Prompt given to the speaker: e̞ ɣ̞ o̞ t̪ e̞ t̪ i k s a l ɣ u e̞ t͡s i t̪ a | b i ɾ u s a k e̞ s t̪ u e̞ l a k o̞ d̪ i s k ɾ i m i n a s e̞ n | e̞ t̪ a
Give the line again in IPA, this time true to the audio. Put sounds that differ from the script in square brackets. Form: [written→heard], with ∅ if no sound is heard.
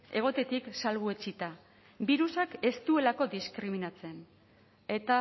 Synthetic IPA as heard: e̞ ɣ̞ o̞ t̪ e̞ t̪ i k s a l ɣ u e̞ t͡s i t̪ a | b i ɾ u s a k e̞ s t̪ u e̞ l a k o̞ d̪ i s k ɾ i m i n a [s→t͡s] e̞ n | e̞ t̪ a